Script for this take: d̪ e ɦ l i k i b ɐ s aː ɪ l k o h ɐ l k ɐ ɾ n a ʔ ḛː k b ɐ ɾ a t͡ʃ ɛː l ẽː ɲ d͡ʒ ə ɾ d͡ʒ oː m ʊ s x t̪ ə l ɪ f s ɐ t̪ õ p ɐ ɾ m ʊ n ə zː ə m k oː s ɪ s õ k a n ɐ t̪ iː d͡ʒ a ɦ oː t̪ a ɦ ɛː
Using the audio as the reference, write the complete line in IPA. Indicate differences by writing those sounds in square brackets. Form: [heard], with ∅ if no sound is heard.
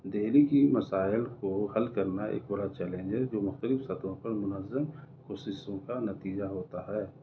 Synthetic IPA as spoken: d̪ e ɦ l i k i [m] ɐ s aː ɪ l k o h ɐ l k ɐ ɾ n a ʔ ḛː k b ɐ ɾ a t͡ʃ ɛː l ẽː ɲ d͡ʒ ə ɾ d͡ʒ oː m ʊ [∅] x t̪ ə l ɪ f s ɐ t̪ õ p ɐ ɾ m ʊ n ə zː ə m k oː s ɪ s õ k a n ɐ t̪ iː d͡ʒ a ɦ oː t̪ a ɦ ɛː